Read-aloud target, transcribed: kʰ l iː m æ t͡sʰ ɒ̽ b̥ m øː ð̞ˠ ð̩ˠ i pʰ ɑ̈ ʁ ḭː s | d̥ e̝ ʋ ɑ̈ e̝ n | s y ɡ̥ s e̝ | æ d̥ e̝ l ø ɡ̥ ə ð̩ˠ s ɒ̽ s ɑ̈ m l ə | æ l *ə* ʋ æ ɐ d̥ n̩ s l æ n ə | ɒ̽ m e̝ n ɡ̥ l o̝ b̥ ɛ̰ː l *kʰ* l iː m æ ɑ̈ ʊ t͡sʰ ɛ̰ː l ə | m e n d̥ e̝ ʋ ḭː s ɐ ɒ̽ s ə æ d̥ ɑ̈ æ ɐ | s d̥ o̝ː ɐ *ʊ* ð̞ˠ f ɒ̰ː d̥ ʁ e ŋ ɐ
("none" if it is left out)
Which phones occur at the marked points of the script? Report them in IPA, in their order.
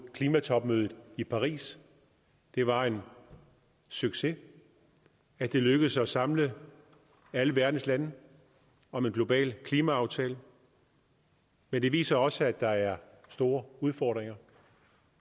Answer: ə, kʰ, u

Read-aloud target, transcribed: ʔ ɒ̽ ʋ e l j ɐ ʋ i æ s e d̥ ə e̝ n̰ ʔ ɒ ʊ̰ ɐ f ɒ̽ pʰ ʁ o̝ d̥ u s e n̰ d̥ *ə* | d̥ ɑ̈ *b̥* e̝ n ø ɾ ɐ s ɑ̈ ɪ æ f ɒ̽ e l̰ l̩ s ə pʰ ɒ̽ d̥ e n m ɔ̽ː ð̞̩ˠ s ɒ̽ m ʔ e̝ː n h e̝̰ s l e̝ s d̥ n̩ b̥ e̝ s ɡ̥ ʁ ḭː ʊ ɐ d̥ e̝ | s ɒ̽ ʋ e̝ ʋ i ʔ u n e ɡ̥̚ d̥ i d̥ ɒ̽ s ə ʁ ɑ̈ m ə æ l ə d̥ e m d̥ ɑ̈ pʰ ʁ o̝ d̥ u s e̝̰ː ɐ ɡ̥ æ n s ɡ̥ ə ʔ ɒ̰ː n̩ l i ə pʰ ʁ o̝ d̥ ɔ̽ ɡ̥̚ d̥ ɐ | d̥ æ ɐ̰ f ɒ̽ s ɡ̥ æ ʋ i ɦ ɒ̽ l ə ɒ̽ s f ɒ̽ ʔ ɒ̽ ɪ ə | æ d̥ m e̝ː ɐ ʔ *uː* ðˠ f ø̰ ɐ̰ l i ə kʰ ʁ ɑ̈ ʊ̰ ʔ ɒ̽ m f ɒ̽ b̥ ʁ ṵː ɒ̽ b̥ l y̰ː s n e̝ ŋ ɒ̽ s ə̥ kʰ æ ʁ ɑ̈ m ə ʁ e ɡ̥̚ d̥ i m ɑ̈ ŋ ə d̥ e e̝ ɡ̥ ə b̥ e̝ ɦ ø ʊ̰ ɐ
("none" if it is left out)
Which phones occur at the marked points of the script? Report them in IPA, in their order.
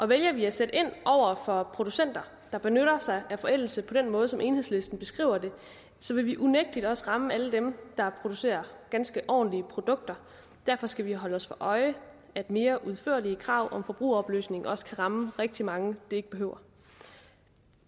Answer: ɐ, b̥, u

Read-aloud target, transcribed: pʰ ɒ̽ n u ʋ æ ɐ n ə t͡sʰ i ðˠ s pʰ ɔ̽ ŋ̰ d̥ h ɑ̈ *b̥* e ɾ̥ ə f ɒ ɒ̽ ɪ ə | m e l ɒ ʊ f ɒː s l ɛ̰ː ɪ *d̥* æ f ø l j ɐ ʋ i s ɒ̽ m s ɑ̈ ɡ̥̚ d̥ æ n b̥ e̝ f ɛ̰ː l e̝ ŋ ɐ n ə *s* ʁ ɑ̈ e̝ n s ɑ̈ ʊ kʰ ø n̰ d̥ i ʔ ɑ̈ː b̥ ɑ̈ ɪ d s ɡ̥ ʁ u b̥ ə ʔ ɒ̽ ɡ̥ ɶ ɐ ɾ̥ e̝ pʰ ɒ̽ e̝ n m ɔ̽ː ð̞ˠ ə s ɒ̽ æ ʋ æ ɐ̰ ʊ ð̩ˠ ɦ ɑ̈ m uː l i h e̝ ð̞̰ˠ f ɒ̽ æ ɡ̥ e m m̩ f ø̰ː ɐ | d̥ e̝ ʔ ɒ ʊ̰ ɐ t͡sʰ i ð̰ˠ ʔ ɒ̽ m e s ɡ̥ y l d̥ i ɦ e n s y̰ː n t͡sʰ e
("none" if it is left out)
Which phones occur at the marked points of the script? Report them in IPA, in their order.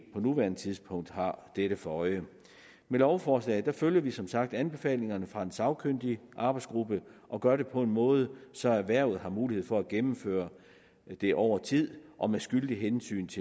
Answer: d̥, d̥, f

